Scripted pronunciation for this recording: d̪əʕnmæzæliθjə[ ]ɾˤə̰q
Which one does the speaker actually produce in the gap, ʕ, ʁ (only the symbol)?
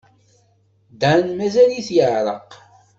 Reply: ʕ